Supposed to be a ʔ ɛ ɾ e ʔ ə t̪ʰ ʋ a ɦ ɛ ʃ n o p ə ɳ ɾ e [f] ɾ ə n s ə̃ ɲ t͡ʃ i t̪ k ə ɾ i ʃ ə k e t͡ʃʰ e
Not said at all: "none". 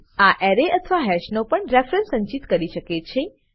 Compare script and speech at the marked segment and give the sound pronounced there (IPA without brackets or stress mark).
f